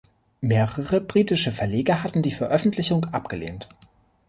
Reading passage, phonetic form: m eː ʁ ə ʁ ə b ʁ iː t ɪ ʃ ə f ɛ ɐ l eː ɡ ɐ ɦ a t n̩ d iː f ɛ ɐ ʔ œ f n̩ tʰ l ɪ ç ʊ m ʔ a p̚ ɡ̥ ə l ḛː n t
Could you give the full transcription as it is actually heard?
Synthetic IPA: m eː ʁ ə ʁ ə b ʁ iː t ɪ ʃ ə f ɛ ɐ l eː ɡ ɐ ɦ a t n̩ d iː f ɛ ɐ ʔ œ f n̩ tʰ l ɪ ç ʊ ŋ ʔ a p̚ ɡ̥ ə l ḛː n t